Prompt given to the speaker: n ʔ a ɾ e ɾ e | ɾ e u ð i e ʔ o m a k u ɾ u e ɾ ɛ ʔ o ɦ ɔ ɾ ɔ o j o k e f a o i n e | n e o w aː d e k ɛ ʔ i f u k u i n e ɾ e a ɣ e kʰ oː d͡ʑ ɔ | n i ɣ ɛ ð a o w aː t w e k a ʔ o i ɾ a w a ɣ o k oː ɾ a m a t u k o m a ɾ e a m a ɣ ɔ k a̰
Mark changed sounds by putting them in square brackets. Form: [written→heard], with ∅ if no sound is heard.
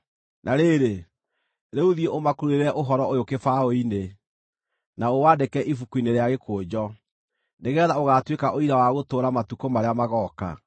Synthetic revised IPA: n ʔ a ɾ e ɾ e | ɾ e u ð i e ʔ o m a k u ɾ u e ɾ ɛ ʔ o ɦ ɔ ɾ ɔ o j o k e f a o i n e | n [e→a] o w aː d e k ɛ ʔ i f u k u i n e ɾ e a ɣ e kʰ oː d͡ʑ ɔ | n [i→e] ɣ ɛ ð a o [w→ɣ] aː t w e k a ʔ o i ɾ a w a ɣ o [k→t] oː ɾ a m a t u k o m a ɾ e a m a ɣ ɔ k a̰